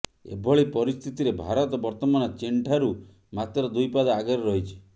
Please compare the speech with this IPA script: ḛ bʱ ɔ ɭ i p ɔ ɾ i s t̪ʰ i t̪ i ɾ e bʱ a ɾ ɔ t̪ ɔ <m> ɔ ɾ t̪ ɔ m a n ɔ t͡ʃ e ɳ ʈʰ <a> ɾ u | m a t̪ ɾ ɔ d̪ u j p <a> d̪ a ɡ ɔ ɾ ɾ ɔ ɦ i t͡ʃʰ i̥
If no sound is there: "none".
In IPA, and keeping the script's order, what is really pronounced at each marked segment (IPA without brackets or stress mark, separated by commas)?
b, a, a